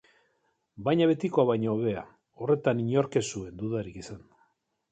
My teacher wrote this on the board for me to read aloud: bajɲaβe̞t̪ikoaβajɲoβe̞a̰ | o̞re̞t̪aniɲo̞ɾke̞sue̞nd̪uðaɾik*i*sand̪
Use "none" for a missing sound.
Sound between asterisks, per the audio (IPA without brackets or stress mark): i